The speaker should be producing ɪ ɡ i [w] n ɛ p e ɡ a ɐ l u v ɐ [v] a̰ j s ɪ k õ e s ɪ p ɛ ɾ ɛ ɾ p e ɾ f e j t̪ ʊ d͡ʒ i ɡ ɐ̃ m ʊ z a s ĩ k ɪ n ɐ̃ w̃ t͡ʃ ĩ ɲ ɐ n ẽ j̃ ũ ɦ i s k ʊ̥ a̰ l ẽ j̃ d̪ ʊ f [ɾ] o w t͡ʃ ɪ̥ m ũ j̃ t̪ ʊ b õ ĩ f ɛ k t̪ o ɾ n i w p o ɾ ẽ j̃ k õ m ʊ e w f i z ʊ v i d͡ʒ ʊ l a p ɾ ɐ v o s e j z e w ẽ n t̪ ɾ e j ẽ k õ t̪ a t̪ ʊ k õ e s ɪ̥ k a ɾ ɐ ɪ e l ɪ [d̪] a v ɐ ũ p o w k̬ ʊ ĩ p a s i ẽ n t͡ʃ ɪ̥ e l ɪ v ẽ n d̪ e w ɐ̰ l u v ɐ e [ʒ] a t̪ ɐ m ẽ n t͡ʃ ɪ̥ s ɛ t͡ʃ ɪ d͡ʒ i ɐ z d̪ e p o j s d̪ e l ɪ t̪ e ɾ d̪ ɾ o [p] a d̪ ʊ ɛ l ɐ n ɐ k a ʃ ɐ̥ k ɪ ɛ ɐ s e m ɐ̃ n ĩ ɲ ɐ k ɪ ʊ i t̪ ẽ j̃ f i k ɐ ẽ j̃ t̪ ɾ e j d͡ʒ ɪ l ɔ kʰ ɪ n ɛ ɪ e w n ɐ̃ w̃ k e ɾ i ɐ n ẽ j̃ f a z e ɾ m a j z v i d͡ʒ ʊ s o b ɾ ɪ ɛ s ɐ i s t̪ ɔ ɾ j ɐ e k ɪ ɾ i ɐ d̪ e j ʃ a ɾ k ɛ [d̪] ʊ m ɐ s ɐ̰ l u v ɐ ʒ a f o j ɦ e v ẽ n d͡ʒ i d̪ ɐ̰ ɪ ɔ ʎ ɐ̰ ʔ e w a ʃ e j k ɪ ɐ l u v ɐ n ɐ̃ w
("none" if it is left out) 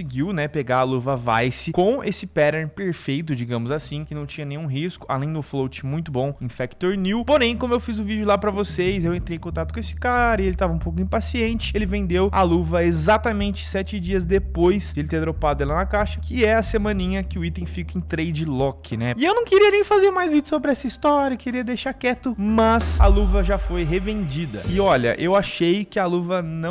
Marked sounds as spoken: w, v, l, t̪, z, p, t̪

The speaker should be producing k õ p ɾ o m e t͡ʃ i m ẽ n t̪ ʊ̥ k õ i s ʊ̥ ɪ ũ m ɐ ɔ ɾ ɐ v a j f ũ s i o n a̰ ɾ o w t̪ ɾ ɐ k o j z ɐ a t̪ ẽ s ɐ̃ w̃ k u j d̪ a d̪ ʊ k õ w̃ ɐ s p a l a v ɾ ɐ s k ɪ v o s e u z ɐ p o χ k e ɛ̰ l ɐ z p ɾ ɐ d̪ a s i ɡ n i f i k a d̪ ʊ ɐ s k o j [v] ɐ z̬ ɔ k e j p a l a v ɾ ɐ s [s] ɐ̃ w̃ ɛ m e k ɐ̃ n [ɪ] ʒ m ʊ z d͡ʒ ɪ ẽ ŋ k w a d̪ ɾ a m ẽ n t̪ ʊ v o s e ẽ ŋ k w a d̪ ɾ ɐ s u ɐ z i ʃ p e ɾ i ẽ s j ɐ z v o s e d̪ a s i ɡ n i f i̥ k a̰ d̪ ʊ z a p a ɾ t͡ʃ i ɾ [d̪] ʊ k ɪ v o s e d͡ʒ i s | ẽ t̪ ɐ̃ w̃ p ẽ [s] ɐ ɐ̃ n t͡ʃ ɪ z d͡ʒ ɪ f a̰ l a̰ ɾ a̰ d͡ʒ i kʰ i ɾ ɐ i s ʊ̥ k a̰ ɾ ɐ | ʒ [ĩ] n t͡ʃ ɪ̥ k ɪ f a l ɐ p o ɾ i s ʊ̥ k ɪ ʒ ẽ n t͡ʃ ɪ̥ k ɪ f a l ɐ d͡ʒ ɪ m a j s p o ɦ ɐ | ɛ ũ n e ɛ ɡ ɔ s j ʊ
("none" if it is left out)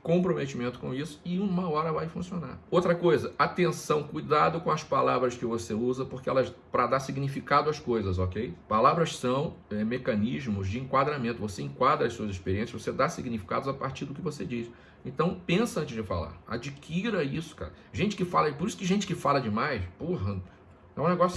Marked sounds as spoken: z, s, i, d̪, s, ẽ

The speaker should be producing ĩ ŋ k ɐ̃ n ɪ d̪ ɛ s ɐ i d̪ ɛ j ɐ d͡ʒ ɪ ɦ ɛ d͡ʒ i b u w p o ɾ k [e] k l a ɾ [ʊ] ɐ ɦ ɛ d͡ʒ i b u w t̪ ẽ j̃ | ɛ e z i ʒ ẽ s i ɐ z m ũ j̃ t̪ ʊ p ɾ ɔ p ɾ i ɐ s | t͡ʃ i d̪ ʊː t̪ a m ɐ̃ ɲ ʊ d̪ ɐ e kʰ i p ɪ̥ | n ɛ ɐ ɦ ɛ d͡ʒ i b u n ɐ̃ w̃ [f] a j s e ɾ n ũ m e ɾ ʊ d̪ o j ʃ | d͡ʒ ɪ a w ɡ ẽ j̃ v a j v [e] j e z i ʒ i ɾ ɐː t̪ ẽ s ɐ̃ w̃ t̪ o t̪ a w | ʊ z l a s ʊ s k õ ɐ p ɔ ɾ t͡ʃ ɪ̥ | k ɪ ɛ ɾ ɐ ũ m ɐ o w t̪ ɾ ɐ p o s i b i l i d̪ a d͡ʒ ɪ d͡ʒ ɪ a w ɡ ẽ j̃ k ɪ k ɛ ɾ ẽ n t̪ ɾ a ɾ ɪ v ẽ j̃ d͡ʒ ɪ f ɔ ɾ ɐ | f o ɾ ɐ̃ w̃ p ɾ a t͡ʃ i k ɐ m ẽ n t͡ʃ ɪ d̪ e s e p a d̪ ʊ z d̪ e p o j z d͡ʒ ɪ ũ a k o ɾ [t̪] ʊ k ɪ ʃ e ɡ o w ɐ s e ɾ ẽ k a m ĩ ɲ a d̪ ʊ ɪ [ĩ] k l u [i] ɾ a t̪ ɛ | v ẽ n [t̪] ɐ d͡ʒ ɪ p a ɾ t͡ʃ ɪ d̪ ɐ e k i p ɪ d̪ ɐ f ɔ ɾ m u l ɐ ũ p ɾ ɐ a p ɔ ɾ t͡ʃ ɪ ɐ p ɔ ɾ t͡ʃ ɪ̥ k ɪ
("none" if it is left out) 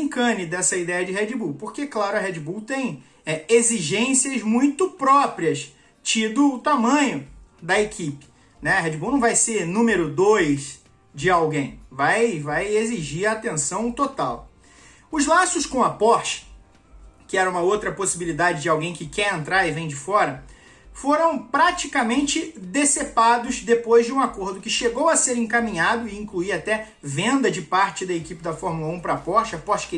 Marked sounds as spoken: e, ʊ, v, a, d̪, ĩ, i, d̪

